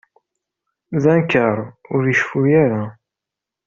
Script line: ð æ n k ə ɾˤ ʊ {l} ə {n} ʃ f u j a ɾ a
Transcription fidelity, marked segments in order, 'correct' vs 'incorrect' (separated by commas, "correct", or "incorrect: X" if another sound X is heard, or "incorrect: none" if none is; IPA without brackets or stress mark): incorrect: ɾ, incorrect: none